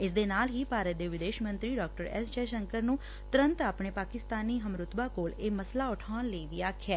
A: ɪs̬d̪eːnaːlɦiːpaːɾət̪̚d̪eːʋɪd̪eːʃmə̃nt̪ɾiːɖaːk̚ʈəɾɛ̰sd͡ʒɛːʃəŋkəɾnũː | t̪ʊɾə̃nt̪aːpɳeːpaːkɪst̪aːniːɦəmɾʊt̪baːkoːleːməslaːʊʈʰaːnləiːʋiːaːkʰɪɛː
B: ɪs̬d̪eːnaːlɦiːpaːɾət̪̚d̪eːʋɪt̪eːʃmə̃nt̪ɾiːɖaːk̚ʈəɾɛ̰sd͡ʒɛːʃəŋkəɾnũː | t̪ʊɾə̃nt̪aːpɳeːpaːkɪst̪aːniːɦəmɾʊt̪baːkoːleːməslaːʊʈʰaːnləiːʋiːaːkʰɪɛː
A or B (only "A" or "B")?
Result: A